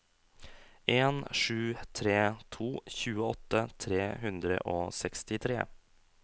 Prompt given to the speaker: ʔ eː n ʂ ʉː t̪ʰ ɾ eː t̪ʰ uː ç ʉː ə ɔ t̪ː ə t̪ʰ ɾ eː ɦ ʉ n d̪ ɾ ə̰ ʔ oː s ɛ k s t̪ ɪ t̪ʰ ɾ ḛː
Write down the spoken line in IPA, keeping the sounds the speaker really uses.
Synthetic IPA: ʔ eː n ʂ ʉː t̪ʰ ɾ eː t̪ʰ uː ç ʉː ə ɔ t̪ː ə t̪ʰ ɾ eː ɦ ʉ n d̪ ɾ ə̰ ʔ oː s ɛ k s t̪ ɪ t̪ʰ ɾ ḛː